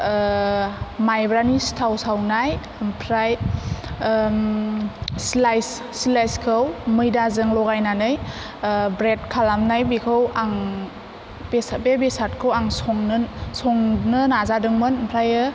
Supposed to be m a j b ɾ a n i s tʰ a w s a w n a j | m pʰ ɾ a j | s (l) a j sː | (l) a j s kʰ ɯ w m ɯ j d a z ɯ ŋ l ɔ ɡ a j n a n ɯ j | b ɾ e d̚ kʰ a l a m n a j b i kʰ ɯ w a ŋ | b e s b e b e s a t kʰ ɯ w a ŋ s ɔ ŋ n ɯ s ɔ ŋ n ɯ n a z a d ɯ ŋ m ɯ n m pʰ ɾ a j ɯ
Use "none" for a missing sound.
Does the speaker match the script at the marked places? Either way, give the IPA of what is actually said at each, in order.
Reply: l, l

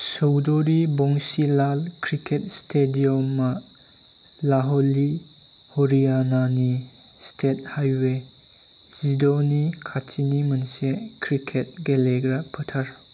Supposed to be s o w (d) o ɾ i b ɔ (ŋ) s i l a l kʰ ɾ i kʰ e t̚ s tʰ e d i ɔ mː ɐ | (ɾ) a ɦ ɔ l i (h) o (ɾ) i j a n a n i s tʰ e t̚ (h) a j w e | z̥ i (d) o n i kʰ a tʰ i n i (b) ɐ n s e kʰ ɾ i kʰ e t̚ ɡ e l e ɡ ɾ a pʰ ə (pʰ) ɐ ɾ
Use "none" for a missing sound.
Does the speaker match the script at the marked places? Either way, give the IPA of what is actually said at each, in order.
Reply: d, ŋ, l, h, ɾ, h, d, m, tʰ

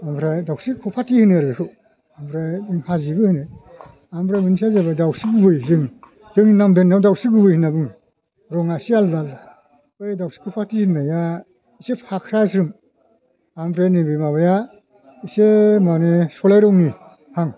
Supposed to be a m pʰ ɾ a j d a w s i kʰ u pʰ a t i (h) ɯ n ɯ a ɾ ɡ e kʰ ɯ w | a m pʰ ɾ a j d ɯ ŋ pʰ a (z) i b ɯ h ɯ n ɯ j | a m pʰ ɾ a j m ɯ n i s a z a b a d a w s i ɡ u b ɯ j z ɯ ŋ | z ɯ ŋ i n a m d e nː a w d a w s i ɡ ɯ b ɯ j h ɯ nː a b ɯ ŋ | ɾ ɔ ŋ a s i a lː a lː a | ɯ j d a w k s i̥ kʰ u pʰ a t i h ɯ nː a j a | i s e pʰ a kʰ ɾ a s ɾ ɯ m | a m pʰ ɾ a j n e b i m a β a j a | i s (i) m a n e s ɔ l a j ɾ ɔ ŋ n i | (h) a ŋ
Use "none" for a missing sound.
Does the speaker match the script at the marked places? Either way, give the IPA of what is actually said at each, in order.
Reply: h, z, e, h

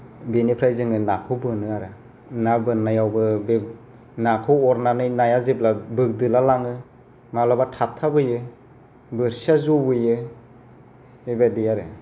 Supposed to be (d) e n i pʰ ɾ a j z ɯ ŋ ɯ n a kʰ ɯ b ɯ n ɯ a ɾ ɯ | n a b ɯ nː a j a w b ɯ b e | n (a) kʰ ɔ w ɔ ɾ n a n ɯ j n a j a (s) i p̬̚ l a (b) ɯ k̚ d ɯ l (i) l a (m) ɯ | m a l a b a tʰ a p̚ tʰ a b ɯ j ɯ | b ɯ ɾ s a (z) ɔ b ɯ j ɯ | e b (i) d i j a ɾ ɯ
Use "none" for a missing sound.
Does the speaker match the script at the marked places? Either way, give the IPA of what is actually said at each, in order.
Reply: b, a, z, b, a, ŋ, z, a

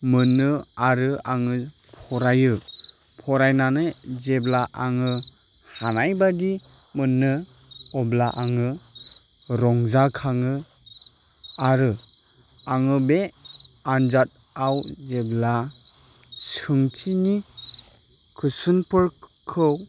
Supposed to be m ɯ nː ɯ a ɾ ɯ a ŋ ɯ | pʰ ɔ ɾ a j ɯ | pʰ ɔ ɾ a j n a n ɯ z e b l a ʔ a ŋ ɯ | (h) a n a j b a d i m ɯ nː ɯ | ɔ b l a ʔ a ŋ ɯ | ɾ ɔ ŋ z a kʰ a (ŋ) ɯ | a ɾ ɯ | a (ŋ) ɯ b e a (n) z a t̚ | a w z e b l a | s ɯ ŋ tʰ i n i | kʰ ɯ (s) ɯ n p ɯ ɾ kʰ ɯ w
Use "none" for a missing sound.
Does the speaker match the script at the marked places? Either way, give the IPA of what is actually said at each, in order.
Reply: h, ŋ, ŋ, n, s

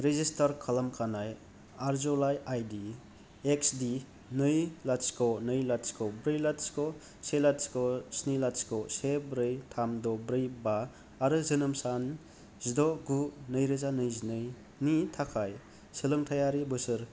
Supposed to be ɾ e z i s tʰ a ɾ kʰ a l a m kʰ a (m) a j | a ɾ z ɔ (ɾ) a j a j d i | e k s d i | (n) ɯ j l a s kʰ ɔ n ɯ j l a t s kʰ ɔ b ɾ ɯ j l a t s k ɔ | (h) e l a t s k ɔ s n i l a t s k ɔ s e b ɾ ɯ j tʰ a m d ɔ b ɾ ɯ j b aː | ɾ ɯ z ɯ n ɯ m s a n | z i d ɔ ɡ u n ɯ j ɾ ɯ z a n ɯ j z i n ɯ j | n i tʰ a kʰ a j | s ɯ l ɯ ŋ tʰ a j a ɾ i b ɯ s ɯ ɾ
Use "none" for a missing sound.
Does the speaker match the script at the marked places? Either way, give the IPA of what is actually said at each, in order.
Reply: n, l, n, s

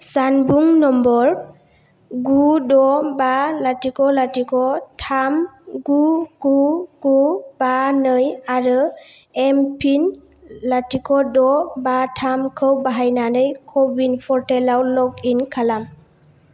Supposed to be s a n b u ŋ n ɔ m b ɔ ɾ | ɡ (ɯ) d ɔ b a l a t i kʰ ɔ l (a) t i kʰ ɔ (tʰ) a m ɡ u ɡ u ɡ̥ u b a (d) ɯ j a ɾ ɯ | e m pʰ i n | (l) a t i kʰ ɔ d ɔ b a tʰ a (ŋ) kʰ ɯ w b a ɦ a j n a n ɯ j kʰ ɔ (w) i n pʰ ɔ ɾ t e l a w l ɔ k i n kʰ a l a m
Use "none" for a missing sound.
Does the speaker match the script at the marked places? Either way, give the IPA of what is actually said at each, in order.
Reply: u, a, tʰ, n, l, m, b

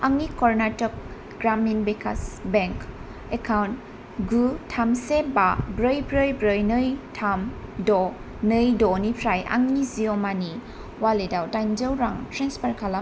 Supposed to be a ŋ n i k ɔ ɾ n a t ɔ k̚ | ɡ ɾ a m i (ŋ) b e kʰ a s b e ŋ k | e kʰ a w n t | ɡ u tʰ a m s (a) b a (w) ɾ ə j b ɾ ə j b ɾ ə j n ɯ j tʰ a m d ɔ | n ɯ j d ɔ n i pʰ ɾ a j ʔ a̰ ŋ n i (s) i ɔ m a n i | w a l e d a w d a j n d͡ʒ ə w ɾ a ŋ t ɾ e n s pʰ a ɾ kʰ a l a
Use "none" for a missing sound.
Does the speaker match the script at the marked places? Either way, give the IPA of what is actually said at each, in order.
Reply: n, e, b, z

